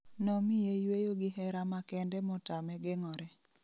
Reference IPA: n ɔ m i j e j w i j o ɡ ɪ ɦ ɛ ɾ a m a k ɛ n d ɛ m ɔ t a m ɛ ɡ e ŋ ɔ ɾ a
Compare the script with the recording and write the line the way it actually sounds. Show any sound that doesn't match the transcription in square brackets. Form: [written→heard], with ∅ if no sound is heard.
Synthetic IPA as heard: n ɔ m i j e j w [i→e] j o ɡ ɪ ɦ ɛ ɾ a m a k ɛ n d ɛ m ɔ t a m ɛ ɡ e ŋ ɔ ɾ [a→ɛ]

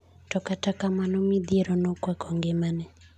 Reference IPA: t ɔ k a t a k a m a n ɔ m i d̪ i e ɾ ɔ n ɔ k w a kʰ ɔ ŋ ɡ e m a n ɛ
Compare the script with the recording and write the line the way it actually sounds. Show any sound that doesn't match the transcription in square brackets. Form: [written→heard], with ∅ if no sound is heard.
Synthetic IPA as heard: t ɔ k a t a k a m a n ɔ m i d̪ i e ɾ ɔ n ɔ k w a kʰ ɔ ŋ ɡ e m a n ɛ

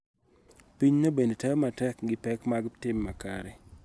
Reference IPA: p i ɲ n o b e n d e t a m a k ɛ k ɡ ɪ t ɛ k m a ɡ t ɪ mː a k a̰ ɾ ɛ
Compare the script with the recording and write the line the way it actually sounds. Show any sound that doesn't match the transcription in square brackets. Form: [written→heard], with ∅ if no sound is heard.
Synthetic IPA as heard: p i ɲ n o b e n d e t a m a [k→t] ɛ k ɡ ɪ [t→p] ɛ k m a ɡ t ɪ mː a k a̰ ɾ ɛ

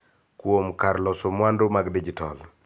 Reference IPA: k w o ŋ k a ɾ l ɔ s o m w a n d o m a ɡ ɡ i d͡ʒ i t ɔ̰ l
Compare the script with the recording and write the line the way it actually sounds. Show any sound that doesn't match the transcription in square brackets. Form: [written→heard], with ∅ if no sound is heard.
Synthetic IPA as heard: k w o [ŋ→m] k a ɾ l ɔ s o m w a n d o m a ɡ [ɡ→d] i d͡ʒ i t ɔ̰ l

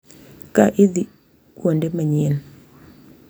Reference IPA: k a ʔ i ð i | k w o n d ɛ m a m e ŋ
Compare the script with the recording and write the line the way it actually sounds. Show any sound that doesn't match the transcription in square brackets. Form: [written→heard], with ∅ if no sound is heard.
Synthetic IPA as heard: k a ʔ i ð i | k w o n d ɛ m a [m→ɲ] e [ŋ→n]

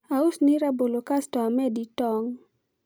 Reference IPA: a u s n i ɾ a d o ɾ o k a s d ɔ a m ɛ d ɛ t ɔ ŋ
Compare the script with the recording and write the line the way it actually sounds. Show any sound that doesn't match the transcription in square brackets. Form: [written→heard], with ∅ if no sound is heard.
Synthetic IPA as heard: a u s n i ɾ a [d→b] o [ɾ→l] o k a s [d→t] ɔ a m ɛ d [ɛ→i] t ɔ ŋ

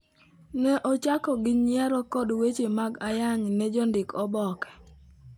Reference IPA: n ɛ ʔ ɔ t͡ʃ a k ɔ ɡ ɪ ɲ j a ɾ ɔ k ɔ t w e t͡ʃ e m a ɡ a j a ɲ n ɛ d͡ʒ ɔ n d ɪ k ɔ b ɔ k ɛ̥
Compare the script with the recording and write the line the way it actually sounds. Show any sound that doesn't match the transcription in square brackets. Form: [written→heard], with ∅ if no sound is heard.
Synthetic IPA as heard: n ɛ ʔ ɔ t͡ʃ a k ɔ ɡ ɪ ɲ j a ɾ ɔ k ɔ [t→d] w e t͡ʃ e m a ɡ a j a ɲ n ɛ d͡ʒ ɔ n d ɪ k ɔ b ɔ k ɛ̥

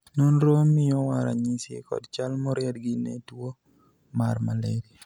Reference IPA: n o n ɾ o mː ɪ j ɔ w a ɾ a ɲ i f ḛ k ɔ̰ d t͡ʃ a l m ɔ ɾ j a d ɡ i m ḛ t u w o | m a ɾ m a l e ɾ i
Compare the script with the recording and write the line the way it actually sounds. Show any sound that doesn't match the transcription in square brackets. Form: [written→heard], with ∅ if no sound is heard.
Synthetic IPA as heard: n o n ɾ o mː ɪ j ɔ w a ɾ a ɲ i [f→s] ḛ k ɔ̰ d t͡ʃ a l m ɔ ɾ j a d ɡ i [m→n] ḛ t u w o | m a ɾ m a l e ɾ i

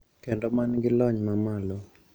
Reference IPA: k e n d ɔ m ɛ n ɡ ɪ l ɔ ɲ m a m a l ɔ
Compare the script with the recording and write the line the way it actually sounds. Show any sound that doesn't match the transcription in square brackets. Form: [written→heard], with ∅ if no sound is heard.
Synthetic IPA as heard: k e n d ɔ m [ɛ→a] n ɡ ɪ l ɔ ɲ m a m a l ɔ

